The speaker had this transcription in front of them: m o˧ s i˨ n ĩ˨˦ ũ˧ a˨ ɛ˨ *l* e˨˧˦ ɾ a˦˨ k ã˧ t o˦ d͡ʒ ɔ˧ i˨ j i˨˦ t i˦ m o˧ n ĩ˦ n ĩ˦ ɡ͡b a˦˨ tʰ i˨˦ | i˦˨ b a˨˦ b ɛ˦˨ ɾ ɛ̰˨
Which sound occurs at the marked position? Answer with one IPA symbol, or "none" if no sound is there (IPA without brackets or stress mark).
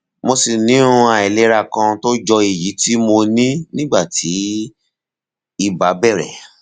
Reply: l